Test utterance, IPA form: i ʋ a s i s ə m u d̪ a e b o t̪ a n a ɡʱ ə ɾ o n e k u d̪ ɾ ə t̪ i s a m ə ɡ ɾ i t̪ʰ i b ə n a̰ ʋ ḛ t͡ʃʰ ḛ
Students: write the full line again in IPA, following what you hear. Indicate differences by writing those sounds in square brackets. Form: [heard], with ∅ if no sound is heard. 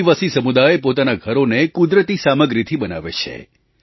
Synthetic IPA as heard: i ʋ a s i s ə m u d̪ a e [p] o t̪ a n a ɡʱ ə ɾ o n e k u d̪ ɾ ə t̪ i s a m ə ɡ ɾ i t̪ʰ i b ə n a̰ ʋ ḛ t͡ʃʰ ḛ